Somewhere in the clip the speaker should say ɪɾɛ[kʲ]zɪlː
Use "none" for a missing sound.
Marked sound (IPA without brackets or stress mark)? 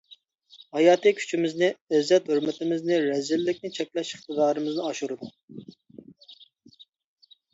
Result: none